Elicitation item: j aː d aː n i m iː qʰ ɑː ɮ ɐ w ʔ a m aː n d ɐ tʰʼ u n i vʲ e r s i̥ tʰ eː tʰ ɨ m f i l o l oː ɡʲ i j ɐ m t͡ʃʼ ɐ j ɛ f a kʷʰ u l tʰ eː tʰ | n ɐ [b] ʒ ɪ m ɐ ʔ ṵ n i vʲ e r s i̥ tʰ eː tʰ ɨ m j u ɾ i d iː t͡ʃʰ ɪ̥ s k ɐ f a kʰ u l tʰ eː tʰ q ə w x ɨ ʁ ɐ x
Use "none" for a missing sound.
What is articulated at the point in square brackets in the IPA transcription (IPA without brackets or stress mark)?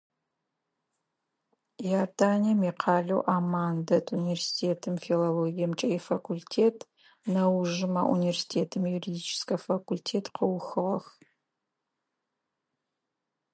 w